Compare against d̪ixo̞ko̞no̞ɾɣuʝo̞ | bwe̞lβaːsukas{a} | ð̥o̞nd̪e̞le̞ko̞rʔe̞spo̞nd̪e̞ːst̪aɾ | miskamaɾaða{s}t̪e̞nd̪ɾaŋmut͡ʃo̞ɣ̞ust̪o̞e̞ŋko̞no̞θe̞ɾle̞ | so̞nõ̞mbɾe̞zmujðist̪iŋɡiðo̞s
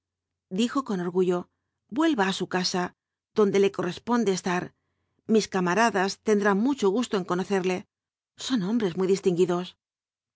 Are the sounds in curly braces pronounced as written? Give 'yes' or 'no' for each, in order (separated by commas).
yes, yes